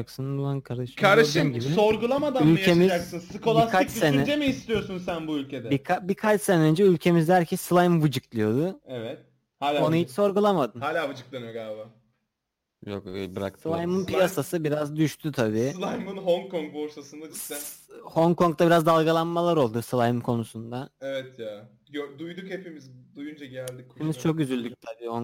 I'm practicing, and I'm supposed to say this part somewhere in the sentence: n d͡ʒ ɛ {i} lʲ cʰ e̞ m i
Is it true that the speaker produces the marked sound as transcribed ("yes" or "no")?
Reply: no